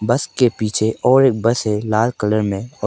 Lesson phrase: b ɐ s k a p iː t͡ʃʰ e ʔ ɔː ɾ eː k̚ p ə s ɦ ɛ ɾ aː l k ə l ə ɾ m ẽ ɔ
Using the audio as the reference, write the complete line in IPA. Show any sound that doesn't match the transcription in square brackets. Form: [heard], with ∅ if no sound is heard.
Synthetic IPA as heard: b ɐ s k [e] p iː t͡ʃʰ e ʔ ɔː ɾ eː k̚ [b] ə s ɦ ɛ [l] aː l k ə l ə ɾ m ẽ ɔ